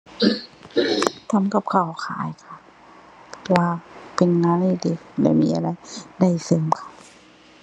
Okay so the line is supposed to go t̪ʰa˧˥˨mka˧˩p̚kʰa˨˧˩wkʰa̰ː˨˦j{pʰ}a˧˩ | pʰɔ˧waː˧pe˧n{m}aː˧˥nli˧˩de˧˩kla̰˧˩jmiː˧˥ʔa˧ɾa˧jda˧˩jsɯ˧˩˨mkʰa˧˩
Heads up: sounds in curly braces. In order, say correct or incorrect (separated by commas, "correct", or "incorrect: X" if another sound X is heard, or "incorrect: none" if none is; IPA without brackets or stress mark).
incorrect: kʰ, incorrect: ŋ